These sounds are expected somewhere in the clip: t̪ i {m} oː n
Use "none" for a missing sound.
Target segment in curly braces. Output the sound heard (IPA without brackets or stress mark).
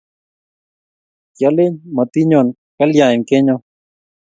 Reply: ɲ